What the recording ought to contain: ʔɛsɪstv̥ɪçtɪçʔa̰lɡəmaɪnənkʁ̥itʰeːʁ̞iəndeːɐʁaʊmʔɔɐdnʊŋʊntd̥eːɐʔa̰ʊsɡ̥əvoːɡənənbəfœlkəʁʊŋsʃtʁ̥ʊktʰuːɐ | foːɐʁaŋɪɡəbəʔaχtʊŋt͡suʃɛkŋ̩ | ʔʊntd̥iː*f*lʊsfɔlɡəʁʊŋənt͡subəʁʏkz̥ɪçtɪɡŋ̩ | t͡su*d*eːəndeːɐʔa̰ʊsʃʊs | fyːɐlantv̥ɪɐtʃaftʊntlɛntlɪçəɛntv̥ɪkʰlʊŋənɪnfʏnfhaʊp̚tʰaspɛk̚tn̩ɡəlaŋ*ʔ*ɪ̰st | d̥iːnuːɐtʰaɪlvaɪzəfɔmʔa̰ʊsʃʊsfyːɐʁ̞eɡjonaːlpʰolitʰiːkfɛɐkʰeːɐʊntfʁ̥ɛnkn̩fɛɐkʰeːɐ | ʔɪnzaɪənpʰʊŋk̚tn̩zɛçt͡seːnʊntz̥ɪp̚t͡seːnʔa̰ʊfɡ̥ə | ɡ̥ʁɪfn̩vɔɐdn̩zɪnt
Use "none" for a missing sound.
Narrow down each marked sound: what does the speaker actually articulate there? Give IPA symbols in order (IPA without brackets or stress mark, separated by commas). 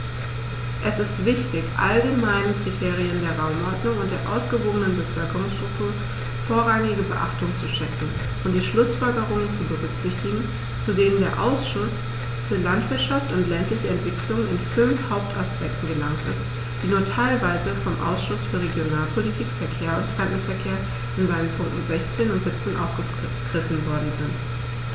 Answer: ʃ, d, t